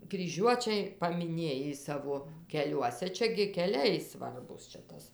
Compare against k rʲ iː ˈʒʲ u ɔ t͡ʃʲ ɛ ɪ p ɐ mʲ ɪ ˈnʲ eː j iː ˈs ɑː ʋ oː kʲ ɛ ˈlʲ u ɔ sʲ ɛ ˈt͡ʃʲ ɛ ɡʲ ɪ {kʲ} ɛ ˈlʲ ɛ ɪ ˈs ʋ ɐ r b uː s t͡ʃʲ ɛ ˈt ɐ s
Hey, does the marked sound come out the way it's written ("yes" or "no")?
yes